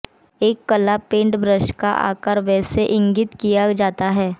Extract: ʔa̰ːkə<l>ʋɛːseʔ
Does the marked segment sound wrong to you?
yes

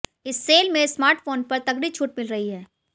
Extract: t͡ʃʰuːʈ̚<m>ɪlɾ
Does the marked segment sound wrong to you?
no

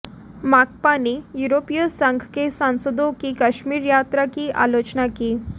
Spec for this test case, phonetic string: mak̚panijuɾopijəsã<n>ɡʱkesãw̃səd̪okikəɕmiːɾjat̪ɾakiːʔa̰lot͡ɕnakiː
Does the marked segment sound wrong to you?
yes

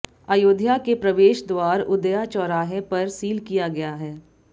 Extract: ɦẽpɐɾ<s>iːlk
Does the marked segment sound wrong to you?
no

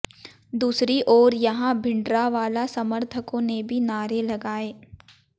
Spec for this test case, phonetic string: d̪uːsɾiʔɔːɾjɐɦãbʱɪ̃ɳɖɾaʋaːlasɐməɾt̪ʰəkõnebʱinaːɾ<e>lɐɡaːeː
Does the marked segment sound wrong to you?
no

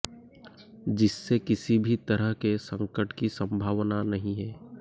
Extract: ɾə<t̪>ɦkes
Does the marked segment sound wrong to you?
yes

